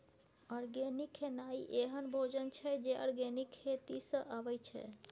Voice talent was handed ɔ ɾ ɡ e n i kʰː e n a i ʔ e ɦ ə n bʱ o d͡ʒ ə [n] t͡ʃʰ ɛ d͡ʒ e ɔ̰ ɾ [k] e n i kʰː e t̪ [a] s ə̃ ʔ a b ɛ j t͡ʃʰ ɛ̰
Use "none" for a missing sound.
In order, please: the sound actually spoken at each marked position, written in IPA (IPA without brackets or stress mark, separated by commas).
n, ɡ, i